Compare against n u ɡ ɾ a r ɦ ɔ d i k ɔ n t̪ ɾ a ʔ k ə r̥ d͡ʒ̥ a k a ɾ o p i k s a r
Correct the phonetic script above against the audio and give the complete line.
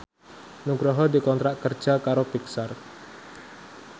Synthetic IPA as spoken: n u ɡ ɾ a ɦ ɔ d i k ɔ n t̪ ɾ a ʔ k ə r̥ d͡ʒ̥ a k a ɾ o p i k s a r